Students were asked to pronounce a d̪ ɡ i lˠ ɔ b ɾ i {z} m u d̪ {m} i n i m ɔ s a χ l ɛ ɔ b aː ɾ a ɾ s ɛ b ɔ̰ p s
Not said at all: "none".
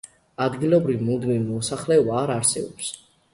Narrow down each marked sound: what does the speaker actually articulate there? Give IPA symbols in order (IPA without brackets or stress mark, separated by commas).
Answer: v, m